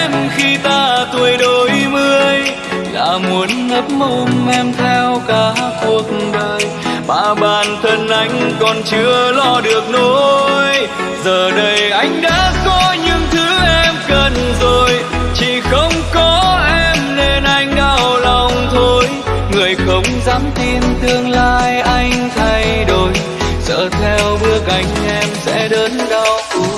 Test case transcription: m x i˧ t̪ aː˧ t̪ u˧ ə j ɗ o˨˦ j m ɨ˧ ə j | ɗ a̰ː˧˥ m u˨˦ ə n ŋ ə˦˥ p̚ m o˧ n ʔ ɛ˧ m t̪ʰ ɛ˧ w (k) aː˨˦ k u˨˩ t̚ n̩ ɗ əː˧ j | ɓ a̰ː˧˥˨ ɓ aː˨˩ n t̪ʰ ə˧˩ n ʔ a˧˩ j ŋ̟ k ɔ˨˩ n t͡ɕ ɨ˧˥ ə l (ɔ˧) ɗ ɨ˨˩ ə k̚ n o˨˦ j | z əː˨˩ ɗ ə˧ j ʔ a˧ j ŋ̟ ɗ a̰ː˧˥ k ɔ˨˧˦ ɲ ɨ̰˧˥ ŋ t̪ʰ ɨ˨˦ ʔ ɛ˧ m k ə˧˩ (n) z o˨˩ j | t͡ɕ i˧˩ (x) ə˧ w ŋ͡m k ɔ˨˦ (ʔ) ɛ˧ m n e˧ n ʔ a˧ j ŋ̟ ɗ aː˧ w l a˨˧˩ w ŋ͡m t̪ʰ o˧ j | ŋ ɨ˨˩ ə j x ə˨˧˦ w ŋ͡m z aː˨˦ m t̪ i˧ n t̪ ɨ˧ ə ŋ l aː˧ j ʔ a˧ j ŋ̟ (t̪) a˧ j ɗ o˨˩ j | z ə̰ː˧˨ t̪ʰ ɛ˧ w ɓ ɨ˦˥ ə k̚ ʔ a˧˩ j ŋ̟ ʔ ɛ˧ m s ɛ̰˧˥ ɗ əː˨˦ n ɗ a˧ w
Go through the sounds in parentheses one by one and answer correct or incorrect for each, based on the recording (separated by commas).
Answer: correct, correct, correct, correct, correct, incorrect